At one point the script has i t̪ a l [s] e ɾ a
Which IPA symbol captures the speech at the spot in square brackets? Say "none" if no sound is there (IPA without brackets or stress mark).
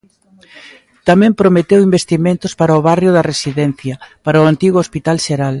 ʃ